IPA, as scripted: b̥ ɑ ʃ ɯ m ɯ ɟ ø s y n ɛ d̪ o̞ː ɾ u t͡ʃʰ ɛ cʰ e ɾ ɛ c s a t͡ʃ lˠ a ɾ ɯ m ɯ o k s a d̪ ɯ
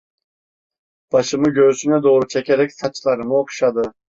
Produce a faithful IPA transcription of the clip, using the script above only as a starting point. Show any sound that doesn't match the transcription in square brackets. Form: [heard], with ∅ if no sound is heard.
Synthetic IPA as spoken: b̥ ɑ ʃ ɯ m ɯ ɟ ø s y n ɛ d̪ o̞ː ɾ u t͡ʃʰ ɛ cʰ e ɾ ɛ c s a t͡ʃ lˠ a ɾ ɯ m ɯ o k [ʃ] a d̪ ɯ